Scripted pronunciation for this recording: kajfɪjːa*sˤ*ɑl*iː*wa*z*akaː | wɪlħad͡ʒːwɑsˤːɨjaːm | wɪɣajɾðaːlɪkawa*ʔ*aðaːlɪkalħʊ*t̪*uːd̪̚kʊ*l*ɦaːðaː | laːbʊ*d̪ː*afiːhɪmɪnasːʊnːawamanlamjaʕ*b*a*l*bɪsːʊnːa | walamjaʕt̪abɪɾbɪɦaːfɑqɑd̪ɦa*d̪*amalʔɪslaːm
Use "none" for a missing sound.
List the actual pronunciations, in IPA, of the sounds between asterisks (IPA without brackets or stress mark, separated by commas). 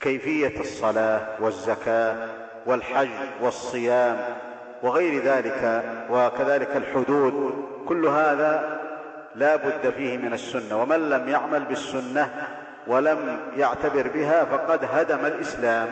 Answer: sˤː, aː, zː, k, d̪, lː, d̪ː, m, l, d̪